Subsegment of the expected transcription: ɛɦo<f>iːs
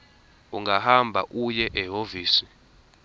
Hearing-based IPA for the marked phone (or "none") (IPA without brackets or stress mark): v